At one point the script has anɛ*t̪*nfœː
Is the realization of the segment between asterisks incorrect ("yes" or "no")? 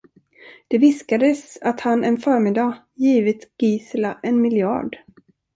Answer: yes